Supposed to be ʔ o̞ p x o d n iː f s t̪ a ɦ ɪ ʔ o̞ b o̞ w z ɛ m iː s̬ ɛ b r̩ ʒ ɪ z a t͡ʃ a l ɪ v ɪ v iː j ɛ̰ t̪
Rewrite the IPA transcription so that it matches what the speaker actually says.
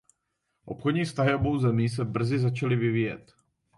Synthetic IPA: ʔ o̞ p x o d ɲ iː f s t̪ a ɦ ɪ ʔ o̞ b o̞ w z ɛ m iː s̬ ɛ b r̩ z ɪ z a t͡ʃ a l ɪ v ɪ v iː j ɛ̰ t̪